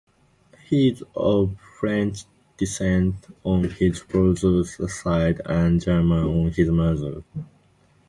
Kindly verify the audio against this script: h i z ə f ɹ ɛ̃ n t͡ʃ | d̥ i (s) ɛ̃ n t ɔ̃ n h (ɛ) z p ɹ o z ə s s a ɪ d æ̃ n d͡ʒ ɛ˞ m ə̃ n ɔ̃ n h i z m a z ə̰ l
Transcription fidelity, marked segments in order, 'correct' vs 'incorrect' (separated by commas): correct, incorrect